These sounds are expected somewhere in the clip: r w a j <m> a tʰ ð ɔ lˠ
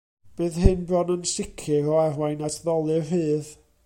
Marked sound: incorrect: n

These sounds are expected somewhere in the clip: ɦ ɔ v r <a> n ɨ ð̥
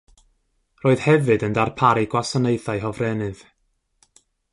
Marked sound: incorrect: ɛ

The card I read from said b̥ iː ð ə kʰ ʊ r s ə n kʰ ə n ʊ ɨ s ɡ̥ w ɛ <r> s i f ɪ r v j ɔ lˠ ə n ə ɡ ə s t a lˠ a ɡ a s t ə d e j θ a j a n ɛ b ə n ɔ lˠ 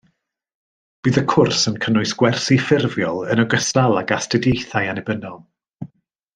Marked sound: correct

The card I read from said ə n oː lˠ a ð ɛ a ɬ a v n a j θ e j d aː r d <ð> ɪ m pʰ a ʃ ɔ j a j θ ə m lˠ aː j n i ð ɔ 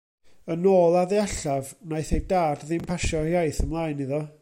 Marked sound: correct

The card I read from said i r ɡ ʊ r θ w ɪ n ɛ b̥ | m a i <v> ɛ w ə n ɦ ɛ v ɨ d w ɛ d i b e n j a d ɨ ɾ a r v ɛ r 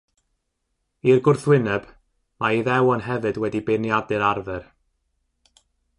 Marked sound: incorrect: ð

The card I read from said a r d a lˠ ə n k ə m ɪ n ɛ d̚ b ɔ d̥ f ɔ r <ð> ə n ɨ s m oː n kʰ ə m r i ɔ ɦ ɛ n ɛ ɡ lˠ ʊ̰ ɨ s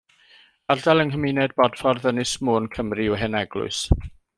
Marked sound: correct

